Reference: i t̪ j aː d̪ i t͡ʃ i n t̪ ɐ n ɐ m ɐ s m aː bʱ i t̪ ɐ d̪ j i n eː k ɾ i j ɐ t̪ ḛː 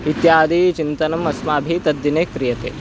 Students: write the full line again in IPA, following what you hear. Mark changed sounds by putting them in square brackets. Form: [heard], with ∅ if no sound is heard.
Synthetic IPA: i t̪ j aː d̪ i t͡ʃ i n t̪ ɐ n ɐ m ɐ s m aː bʱ i t̪ ɐ d̪ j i n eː k ɾ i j ɐ t̪ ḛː